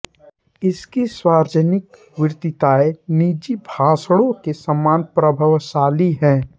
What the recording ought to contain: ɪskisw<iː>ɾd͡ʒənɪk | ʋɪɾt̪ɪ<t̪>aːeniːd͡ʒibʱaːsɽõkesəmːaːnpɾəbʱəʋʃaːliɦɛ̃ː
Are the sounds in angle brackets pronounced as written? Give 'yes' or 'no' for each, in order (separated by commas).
no, yes